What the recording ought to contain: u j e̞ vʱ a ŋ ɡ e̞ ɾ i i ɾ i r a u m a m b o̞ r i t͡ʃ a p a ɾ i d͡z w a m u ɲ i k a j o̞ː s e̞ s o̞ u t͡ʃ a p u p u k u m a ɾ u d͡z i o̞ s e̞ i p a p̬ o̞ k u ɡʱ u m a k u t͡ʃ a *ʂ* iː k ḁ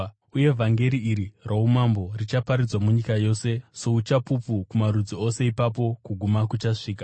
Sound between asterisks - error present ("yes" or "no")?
no